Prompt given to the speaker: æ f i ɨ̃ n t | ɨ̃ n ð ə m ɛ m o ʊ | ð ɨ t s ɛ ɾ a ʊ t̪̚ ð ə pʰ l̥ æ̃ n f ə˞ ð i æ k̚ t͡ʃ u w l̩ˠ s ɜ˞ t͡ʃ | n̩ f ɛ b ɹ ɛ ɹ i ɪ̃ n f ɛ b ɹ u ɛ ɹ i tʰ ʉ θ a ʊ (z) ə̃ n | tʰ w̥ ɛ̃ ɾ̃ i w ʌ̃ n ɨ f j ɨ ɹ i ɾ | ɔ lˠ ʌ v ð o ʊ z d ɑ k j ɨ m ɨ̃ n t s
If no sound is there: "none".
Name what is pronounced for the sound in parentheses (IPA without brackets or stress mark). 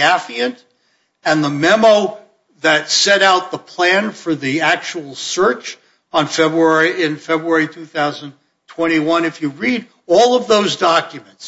z